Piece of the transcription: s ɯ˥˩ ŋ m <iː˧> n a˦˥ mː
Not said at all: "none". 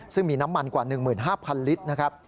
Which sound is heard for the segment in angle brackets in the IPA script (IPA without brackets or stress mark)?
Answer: iː˧